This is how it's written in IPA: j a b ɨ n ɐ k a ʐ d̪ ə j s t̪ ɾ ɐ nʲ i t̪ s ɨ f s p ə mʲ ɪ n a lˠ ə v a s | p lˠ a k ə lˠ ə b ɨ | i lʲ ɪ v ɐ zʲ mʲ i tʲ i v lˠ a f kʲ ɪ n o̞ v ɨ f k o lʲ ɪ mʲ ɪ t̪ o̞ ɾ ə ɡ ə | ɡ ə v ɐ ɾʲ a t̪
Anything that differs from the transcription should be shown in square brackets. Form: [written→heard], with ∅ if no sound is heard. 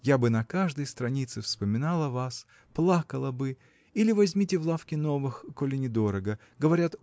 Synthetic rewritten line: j a b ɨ n ɐ k a ʐ d̪ ə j s t̪ ɾ ɐ nʲ i t̪ s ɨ f s p ə mʲ ɪ n a lˠ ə v a s | p lˠ a k ə lˠ ə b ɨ | i lʲ ɪ v ɐ zʲ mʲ i tʲ [i→ɪ] v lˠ a f kʲ ɪ n o̞ v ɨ [f→x] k o lʲ ɪ [mʲ→nʲ] ɪ [t̪→d̪] o̞ ɾ ə ɡ ə | ɡ ə v ɐ ɾʲ a t̪